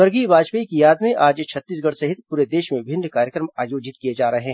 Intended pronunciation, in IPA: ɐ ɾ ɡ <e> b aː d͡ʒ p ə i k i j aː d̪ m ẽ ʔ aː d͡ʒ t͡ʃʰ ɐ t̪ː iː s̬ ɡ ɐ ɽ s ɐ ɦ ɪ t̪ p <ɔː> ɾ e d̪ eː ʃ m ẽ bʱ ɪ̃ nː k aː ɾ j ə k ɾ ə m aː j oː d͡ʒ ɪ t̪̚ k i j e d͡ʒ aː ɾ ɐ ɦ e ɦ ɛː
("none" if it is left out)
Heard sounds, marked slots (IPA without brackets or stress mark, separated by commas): i, uː